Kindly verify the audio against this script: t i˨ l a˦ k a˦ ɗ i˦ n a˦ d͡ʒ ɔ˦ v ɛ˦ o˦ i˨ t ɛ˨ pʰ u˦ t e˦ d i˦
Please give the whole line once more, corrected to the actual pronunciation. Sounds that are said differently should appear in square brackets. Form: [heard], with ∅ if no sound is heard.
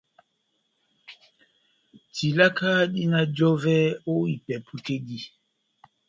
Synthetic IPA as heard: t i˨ l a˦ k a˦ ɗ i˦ n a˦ d͡ʒ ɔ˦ v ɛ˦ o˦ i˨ [p] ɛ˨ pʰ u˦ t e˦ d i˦